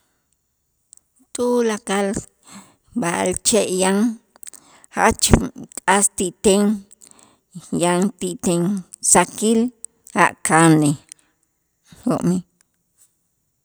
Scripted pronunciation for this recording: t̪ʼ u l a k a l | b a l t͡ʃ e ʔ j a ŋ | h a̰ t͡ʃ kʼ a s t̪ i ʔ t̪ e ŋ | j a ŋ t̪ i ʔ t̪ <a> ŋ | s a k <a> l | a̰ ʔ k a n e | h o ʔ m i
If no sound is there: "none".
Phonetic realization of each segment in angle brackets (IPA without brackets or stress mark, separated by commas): e, i